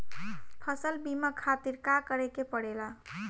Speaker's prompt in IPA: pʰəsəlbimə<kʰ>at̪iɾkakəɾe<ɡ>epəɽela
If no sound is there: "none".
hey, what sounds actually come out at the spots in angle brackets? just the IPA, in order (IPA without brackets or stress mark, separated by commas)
kʰ, k